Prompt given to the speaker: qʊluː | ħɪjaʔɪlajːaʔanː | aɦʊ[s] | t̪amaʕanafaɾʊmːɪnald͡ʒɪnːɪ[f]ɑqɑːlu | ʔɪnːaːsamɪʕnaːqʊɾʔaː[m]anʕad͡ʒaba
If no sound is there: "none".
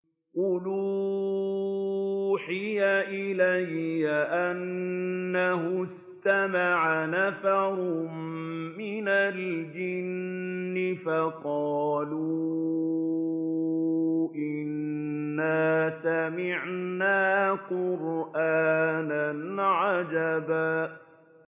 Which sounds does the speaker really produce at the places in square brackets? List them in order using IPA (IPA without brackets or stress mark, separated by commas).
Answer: s, f, n